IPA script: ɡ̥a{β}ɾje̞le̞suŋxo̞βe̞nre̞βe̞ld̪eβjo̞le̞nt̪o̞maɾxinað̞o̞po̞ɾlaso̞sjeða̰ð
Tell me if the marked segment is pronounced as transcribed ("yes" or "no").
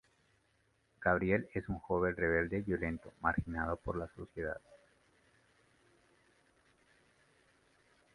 yes